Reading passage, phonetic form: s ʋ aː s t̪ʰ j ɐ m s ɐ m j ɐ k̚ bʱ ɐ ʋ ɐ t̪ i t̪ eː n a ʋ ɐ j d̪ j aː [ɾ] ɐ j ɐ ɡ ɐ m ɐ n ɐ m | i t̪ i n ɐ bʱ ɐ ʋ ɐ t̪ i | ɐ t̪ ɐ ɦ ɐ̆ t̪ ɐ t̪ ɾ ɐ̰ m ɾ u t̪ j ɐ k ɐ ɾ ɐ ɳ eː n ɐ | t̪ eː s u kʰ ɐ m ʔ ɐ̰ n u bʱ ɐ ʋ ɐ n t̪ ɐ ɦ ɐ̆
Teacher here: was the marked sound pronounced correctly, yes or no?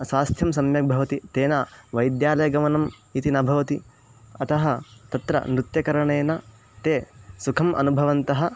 no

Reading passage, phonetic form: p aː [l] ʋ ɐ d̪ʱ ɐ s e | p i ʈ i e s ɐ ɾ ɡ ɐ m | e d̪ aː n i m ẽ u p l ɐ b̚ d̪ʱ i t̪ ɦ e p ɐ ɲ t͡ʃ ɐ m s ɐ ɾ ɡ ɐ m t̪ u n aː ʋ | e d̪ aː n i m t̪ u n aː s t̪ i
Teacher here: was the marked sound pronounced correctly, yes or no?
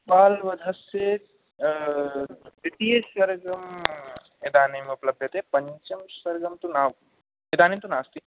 yes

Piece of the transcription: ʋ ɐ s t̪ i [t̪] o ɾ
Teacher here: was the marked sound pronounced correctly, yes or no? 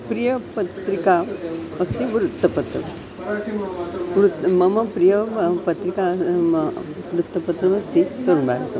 yes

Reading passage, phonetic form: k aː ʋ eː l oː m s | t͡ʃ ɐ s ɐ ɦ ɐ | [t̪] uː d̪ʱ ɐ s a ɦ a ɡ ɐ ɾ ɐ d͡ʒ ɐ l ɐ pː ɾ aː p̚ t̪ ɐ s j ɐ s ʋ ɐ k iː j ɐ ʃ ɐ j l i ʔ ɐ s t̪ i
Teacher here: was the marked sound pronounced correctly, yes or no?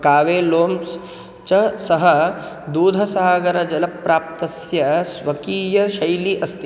no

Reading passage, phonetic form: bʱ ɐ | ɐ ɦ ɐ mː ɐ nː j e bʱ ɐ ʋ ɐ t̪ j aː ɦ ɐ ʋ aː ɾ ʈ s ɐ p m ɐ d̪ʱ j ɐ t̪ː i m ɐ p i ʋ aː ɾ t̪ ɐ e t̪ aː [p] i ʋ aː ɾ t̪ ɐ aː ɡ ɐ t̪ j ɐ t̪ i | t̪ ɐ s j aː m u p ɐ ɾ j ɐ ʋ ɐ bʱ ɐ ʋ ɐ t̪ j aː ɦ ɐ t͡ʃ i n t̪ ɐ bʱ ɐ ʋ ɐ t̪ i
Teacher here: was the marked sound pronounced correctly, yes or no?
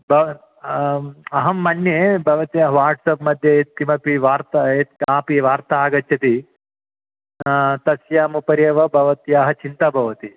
yes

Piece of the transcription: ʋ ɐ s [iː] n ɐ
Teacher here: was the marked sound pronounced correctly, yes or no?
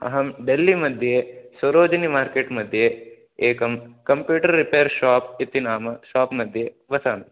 no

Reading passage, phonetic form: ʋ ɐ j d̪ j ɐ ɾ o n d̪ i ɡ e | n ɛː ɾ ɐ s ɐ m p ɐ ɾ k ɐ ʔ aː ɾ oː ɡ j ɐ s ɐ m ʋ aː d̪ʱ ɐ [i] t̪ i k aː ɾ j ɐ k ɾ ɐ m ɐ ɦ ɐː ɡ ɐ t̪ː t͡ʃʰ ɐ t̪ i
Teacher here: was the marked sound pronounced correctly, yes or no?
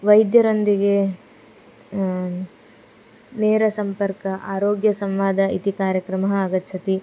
yes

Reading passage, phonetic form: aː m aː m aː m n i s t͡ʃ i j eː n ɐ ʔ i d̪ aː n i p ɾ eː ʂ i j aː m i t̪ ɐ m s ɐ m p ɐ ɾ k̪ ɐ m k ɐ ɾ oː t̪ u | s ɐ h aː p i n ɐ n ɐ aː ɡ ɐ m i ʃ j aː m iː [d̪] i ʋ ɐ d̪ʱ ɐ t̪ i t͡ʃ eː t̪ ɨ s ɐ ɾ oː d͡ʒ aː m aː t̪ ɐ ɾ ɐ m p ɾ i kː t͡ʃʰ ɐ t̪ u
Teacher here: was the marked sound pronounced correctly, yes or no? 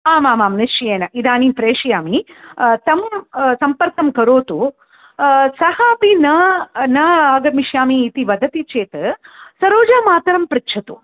no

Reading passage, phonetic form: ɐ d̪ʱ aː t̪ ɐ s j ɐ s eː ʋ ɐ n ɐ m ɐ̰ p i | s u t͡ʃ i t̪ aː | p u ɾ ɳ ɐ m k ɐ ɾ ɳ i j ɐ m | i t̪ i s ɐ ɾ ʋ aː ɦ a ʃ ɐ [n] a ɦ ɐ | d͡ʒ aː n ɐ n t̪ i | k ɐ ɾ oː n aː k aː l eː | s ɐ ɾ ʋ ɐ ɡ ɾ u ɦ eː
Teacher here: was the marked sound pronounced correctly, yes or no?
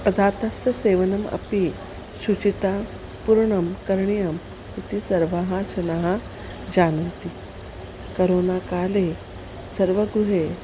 yes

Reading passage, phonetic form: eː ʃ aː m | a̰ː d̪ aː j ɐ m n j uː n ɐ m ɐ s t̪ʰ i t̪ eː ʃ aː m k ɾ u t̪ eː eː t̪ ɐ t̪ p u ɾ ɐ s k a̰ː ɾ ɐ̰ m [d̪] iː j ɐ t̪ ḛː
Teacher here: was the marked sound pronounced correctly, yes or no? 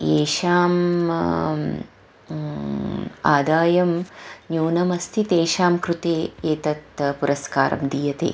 yes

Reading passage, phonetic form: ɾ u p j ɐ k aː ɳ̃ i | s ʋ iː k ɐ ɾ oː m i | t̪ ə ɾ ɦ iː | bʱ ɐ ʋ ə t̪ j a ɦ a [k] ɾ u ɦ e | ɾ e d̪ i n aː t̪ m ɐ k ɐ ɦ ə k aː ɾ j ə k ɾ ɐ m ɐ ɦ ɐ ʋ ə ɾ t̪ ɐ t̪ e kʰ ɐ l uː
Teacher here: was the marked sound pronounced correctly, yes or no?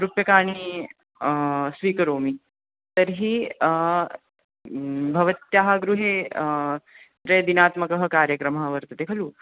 no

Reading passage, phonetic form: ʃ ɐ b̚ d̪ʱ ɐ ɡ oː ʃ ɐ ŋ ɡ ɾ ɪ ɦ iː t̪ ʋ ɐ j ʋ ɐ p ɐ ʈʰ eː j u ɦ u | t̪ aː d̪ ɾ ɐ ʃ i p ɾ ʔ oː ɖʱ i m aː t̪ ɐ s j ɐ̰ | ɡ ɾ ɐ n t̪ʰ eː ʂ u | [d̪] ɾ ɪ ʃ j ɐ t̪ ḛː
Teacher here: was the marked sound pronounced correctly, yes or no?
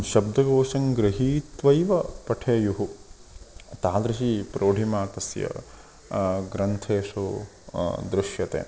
yes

